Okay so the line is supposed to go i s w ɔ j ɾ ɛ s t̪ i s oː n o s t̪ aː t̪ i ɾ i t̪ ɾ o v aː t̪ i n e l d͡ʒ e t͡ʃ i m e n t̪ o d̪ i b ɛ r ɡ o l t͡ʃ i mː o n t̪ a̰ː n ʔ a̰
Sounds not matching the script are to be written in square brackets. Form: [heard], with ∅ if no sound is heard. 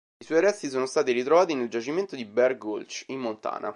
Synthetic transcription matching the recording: i s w ɔ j ɾ ɛ s t̪ i s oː n o s t̪ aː t̪ i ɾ i t̪ ɾ o v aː t̪ i n e l d͡ʒ [a] t͡ʃ i m e n t̪ o d̪ i b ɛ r ɡ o l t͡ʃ i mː o n t̪ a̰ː n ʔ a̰